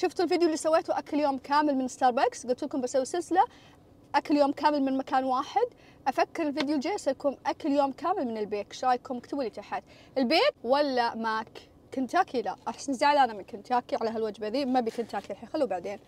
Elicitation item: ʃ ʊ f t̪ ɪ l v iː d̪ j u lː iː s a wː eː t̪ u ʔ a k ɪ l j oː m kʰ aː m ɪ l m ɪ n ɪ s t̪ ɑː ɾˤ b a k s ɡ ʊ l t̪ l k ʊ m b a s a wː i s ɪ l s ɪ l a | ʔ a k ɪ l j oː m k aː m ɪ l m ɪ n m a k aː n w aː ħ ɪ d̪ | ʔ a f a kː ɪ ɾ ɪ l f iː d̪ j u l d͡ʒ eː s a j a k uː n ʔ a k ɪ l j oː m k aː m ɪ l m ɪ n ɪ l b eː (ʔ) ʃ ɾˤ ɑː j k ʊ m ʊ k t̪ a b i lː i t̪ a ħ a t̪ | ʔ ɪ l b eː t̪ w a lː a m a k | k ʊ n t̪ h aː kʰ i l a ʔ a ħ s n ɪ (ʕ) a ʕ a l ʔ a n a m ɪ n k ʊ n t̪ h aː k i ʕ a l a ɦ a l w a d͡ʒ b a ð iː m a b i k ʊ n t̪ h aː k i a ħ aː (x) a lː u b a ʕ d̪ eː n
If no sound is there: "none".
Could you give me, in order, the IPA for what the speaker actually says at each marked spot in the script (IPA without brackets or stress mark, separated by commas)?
k, z, x